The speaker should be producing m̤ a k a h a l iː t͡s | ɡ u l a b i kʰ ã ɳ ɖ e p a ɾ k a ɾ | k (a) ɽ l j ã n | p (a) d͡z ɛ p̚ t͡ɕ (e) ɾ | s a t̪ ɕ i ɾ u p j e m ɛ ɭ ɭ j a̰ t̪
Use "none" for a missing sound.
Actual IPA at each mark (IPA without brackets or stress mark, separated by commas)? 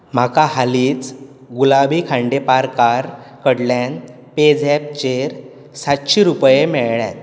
ə, e, e